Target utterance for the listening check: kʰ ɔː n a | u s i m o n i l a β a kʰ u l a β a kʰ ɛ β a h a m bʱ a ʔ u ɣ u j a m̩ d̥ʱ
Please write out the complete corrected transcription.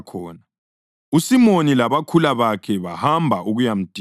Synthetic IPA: kʰ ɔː n a | u s i m o n i l a β a kʰ u l a β a kʰ ɛ β a h a m bʱ a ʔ u ɣ u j a m̩ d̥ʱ